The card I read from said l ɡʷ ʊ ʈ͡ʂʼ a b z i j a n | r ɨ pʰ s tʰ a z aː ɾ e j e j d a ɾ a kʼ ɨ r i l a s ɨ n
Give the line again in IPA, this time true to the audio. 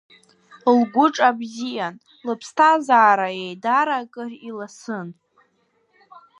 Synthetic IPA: l ɡʷ ʊ ʈ͡ʂʼ a b z i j a n | l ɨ pʰ s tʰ a z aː ɾ a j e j d a ɾ a kʼ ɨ r i l a s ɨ n